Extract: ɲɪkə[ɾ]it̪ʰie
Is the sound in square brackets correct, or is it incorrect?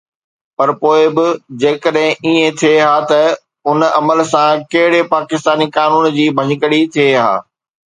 incorrect